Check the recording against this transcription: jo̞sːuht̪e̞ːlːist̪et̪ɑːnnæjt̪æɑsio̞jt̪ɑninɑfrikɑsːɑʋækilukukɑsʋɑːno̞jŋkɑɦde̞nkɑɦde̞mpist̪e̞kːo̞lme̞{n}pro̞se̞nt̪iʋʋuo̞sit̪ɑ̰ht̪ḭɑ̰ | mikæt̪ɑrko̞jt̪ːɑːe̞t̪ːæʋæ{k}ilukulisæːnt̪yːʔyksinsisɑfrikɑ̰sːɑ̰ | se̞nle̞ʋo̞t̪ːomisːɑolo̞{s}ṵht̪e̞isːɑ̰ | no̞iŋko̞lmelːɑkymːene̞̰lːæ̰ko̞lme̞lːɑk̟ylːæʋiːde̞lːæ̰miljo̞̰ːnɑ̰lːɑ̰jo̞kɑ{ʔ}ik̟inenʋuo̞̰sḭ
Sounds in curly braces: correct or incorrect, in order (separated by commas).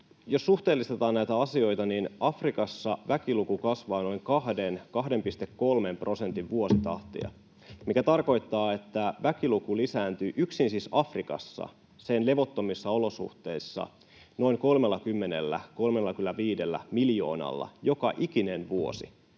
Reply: incorrect, correct, correct, correct